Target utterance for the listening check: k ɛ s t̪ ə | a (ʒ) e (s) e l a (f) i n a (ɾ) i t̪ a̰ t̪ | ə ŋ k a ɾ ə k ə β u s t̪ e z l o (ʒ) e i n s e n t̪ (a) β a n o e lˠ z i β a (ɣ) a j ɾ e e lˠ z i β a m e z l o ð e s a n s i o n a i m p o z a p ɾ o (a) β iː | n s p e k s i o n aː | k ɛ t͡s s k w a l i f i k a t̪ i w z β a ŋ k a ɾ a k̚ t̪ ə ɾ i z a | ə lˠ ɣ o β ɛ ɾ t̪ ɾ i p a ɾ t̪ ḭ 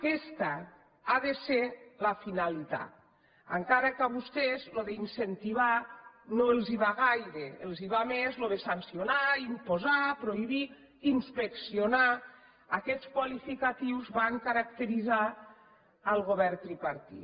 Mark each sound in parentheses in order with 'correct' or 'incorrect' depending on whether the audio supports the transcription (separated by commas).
incorrect, correct, correct, incorrect, incorrect, incorrect, correct, incorrect